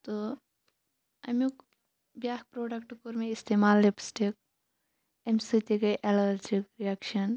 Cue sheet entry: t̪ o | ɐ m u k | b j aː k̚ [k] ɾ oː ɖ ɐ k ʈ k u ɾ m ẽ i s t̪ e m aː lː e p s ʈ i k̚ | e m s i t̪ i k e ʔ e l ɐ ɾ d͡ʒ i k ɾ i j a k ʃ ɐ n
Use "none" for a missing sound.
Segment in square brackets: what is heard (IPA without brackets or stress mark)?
p